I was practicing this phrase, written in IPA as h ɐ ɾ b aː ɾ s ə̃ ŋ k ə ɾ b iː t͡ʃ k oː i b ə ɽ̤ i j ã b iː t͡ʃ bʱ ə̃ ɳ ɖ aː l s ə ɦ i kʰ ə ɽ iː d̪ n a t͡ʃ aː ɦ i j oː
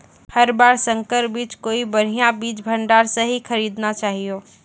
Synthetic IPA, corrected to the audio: h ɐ ɾ b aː ɾ s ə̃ ŋ k ə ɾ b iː t͡ʃ k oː i b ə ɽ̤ i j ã b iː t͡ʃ bʱ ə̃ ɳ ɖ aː ɾ s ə ɦ i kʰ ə ɾ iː d̪ n a t͡ʃ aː ɦ i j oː